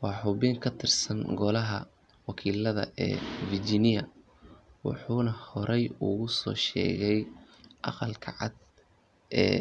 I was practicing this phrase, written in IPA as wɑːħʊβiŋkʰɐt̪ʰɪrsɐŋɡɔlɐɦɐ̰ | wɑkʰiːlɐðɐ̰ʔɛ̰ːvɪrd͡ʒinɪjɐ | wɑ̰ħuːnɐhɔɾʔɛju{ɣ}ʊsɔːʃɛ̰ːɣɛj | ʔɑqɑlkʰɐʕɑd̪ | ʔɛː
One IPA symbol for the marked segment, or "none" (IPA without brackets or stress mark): ɣ